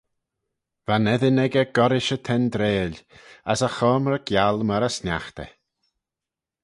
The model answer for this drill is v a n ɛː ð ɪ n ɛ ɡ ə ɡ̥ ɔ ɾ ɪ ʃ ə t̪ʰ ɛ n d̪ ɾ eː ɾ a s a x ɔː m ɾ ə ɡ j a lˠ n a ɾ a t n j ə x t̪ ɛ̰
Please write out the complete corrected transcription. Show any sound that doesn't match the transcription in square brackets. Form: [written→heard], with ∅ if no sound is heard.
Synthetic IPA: v a n [ɛː→ɛ] ð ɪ n ɛ ɡ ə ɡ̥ ɔ ɾ ɪ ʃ ə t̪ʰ ɛ n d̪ ɾ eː [ɾ→l] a s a x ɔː m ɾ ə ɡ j a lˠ [n→m] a ɾ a [t→s] n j [ə→a] x t̪ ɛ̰